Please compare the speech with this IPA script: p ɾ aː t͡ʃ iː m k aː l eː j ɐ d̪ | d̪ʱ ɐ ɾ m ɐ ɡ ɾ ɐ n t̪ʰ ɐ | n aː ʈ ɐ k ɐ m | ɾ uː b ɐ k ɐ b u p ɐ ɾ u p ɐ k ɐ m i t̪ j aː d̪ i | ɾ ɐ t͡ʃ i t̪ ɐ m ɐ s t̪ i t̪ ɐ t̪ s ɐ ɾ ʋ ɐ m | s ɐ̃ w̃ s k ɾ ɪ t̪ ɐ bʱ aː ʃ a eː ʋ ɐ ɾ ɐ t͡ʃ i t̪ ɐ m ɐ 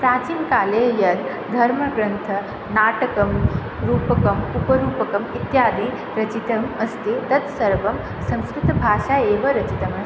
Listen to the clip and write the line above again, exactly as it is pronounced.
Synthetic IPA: p ɾ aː t͡ʃ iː m k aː l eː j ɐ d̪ | d̪ʱ ɐ ɾ m ɐ ɡ ɾ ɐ n t̪ʰ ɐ | n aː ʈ ɐ k ɐ m | ɾ uː p ɐ k ɐ m u p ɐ ɾ uː p ɐ k ɐ m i t̪ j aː d̪ i | ɾ ɐ t͡ʃ i t̪ ɐ m ɐ s t̪ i t̪ ɐ t̪ s ɐ ɾ ʋ ɐ m | s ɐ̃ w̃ s k ɾ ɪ t̪ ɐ bʱ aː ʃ a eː ʋ ɐ ɾ ɐ t͡ʃ i t̪ ɐ m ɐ

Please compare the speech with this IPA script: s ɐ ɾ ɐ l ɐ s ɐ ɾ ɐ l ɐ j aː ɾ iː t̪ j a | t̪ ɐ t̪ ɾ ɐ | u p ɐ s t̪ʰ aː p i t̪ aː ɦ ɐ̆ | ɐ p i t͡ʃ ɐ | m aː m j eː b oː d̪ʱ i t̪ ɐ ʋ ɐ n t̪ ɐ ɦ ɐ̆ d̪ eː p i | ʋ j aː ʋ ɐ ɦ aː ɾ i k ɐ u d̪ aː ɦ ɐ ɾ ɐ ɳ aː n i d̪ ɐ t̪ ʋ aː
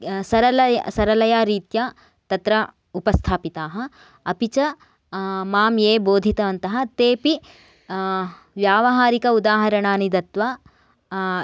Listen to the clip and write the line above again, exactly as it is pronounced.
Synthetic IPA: s ɐ ɾ ɐ l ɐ s ɐ ɾ ɐ l ɐ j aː ɾ iː t̪ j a | t̪ ɐ t̪ ɾ ɐ | u p ɐ s t̪ʰ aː p i t̪ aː ɦ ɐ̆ | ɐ p i t͡ʃ ɐ | m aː m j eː b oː d̪ʱ i t̪ ɐ ʋ ɐ n t̪ ɐ ɦ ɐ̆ t̪ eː p i | ʋ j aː ʋ ɐ ɦ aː ɾ i k ɐ u d̪ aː ɦ ɐ ɾ ɐ ɳ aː n i d̪ ɐ t̪ ʋ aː

